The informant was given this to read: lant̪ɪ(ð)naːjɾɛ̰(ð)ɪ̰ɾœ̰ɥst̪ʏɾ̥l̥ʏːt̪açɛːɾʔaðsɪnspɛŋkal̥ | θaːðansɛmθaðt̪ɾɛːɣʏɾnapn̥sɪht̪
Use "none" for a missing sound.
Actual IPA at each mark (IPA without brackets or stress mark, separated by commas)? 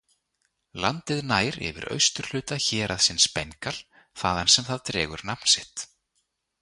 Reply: ð, v